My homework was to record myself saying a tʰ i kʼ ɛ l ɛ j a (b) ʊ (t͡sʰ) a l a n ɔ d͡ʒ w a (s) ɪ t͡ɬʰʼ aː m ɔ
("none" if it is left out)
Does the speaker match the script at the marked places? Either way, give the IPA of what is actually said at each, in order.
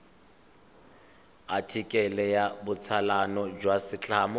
b, t͡sʰ, s

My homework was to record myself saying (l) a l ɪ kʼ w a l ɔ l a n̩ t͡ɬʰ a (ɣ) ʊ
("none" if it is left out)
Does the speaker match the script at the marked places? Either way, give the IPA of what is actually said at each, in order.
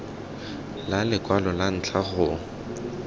l, ɣ

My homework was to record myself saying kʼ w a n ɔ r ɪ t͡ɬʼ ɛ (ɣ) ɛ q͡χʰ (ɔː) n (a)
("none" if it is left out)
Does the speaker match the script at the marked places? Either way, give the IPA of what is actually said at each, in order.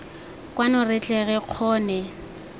ɣ, ɔː, ɛ

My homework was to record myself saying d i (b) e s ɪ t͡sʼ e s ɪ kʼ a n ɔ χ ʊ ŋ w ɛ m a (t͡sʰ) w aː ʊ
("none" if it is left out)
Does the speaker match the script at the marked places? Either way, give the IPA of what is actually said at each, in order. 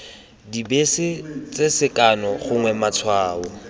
b, t͡sʰ

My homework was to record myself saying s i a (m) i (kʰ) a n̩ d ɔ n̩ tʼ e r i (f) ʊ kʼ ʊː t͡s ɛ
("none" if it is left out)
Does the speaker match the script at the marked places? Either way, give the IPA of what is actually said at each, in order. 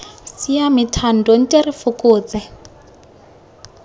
m, tʰ, f

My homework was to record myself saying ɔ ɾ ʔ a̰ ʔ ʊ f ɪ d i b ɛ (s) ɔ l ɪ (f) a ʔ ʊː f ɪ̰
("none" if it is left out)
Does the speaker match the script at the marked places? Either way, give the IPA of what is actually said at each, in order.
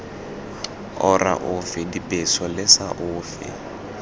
s, s

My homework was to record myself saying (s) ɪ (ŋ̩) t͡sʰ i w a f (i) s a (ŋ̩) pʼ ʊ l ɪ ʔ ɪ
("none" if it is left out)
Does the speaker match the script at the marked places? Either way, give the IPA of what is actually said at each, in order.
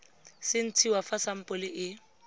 s, n̩, a, m̩

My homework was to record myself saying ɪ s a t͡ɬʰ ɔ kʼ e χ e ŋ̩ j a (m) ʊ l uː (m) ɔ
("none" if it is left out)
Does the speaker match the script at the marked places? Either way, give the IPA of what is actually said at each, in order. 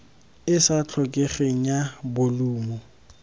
b, m

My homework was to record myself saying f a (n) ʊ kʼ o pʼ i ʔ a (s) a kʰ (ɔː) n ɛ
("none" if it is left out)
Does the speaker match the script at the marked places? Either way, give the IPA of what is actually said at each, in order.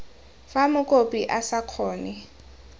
m, s, ɔː

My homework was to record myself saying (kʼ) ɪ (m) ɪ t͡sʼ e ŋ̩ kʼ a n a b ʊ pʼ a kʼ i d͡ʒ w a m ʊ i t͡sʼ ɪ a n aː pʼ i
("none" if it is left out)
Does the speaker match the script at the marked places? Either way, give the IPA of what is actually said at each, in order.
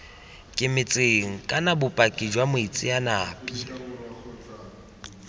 kʼ, m

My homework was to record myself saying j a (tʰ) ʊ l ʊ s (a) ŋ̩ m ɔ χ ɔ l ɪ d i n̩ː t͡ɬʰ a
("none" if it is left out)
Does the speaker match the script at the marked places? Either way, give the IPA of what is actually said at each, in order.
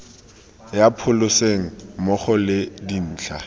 pʰ, e

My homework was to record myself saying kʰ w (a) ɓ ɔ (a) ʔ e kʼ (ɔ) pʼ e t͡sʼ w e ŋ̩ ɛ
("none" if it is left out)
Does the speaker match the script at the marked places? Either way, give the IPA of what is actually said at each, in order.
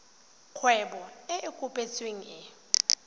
ɛ, ɛ, u

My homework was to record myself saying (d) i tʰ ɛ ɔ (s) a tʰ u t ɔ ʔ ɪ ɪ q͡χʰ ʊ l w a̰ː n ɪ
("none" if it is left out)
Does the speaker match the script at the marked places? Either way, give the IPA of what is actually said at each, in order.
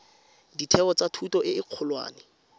d, t͡s

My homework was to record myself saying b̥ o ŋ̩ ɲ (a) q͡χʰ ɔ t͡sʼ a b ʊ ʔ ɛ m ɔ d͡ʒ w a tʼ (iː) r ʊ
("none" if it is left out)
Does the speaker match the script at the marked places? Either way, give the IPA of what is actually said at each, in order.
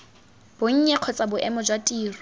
ɛ, iː

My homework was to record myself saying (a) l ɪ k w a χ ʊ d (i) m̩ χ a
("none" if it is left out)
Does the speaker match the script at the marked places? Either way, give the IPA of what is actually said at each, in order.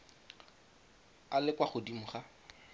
a, i

